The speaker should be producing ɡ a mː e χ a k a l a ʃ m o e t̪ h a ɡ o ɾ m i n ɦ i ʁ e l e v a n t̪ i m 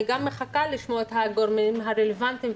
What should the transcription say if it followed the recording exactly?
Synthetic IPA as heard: ɡ a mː e χ a k a l i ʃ m o e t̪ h a ɡ o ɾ m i m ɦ a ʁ e l e v a n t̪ i m